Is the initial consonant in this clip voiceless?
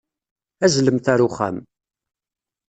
no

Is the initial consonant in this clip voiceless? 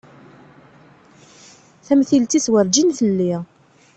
yes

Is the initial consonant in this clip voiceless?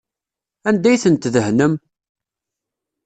no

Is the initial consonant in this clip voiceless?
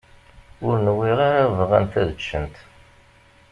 no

